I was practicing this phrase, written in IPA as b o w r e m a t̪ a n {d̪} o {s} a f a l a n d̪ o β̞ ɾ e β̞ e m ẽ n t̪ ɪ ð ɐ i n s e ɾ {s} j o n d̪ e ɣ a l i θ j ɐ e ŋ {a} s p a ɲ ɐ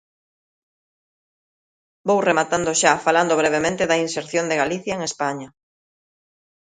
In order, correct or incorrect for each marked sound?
correct, incorrect, incorrect, incorrect

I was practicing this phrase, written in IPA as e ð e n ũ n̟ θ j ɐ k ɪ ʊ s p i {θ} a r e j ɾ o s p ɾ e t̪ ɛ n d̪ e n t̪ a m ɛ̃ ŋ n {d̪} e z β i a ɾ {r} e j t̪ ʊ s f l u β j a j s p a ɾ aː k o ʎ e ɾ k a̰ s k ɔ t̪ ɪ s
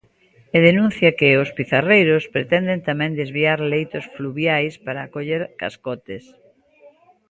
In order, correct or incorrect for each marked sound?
correct, correct, incorrect

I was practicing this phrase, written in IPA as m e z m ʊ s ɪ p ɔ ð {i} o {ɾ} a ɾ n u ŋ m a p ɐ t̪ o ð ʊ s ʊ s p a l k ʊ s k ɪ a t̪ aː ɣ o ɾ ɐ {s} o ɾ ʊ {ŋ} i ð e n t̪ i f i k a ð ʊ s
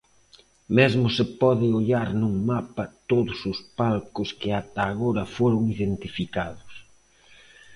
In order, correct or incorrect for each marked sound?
incorrect, incorrect, incorrect, correct

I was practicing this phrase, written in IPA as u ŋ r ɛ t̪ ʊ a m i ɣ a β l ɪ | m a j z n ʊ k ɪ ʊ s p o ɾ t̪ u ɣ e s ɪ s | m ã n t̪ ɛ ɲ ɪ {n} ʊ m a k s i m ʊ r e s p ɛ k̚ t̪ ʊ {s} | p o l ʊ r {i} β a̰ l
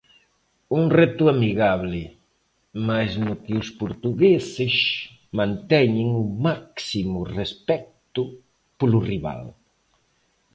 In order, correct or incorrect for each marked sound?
incorrect, incorrect, correct

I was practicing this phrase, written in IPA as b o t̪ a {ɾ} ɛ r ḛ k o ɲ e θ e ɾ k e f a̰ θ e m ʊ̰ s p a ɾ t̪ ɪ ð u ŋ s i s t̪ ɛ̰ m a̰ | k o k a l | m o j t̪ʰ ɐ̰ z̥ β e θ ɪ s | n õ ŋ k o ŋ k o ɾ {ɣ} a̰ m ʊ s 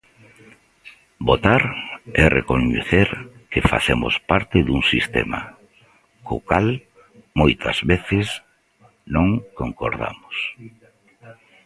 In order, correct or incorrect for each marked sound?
correct, incorrect

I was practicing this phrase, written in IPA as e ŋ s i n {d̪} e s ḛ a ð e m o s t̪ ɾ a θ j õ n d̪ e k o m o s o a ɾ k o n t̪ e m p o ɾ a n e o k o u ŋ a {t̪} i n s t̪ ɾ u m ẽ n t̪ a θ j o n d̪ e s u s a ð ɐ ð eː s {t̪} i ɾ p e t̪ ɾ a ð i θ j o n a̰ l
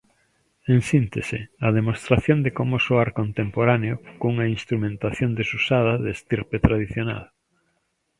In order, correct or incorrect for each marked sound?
incorrect, incorrect, correct

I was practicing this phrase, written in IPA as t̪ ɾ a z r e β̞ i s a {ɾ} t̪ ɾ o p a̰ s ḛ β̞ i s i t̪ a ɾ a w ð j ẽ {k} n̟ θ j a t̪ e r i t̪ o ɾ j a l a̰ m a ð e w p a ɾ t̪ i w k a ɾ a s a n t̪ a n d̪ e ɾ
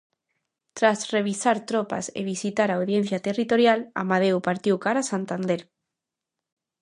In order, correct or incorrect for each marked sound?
correct, incorrect

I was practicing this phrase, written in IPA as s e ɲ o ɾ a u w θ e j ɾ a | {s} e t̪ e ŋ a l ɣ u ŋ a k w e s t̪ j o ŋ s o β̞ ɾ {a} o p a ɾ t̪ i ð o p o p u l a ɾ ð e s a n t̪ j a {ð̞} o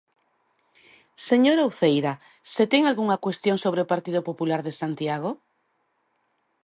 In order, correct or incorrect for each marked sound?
correct, incorrect, incorrect

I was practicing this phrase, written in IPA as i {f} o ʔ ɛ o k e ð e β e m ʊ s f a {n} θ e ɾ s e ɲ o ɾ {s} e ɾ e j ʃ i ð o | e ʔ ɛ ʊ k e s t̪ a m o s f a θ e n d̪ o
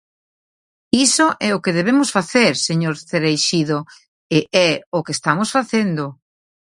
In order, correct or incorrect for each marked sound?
incorrect, incorrect, incorrect

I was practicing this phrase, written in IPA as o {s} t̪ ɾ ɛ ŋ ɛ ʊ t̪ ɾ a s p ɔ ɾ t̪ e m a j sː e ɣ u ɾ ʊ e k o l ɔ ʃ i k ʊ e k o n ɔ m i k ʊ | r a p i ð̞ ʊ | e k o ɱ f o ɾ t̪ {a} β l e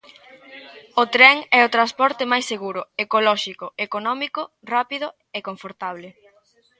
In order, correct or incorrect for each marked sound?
incorrect, correct

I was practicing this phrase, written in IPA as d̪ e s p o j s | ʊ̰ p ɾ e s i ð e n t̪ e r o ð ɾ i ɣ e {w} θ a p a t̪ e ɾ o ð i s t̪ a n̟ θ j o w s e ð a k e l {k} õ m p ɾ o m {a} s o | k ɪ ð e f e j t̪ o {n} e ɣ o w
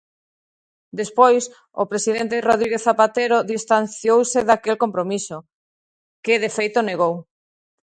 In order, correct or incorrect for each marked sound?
incorrect, correct, incorrect, correct

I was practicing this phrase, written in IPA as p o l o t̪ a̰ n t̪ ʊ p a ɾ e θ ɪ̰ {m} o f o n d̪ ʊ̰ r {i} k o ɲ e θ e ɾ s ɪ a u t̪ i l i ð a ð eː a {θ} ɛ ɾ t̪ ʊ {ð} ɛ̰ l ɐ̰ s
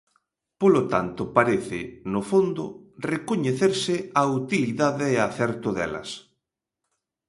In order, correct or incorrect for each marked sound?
incorrect, incorrect, correct, correct

